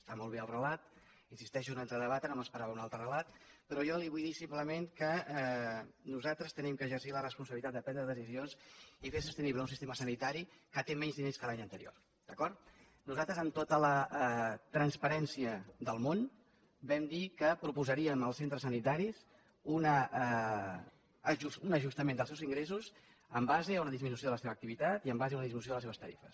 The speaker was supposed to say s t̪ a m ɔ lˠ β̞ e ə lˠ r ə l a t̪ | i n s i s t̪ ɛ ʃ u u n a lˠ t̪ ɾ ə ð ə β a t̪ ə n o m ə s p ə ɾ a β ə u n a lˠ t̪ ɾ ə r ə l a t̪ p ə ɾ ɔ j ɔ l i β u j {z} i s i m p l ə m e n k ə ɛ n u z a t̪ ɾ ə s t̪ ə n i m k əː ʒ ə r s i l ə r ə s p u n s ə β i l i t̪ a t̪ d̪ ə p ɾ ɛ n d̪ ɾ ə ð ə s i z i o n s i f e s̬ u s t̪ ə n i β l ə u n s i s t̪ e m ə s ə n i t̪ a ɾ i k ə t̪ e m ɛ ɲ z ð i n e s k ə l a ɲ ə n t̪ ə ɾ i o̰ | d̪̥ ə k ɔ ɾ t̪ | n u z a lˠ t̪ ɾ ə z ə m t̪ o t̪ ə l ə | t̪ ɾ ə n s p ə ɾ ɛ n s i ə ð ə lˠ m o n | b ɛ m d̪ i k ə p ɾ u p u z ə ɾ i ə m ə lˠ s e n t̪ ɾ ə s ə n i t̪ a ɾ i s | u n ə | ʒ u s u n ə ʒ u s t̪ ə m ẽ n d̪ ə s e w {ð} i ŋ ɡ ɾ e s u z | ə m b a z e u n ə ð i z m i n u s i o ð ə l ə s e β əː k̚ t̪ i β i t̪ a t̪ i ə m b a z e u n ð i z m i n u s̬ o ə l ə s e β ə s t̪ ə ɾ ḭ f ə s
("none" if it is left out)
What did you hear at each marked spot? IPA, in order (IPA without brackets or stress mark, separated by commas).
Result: ð, z